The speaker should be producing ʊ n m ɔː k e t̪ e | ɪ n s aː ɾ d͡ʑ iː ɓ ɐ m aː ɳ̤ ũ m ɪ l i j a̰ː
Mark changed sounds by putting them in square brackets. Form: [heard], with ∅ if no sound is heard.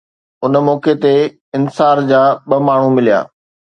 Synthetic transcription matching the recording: ʊ n m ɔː k e t̪ e | ɪ n s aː ɾ d͡ʑ [aː] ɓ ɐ m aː ɳ̤ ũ m ɪ l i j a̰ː